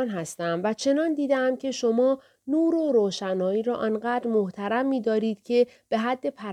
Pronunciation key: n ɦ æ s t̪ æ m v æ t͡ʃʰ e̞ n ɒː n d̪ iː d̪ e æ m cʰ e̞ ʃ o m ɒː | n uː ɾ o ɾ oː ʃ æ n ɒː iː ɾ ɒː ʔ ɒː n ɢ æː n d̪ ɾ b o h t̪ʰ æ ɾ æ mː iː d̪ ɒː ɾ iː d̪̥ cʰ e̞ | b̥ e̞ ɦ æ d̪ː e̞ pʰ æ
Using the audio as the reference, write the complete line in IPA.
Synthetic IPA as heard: n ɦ æ s t̪ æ m v æ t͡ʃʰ e̞ n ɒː n d̪ iː d̪ e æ m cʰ e̞ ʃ o m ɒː | n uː ɾ o ɾ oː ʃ æ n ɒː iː ɾ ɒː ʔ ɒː n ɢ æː d̪ ɾ m o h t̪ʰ æ ɾ æ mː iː d̪ ɒː ɾ iː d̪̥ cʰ e̞ | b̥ e̞ ɦ æ d̪ː e̞ pʰ æ